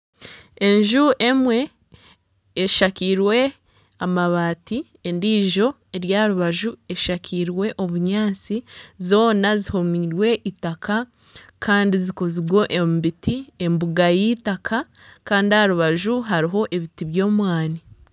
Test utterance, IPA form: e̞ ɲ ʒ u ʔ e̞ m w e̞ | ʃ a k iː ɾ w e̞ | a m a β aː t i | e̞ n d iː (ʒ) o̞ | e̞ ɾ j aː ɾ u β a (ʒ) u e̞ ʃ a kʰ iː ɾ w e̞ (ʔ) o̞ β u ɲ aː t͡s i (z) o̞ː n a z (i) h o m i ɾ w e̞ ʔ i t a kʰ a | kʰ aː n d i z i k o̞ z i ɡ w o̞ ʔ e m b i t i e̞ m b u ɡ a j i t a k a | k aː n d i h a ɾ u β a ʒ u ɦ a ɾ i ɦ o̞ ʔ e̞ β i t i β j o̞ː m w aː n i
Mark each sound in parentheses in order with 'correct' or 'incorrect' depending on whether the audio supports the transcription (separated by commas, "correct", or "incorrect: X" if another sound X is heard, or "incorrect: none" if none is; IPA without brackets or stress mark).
correct, correct, correct, correct, correct